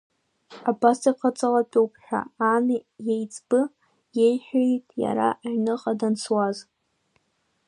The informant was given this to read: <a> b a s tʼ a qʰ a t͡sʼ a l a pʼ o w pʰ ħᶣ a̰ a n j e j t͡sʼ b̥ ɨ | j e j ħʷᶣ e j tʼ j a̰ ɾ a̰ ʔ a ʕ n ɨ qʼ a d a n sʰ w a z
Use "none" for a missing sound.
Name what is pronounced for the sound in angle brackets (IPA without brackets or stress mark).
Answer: a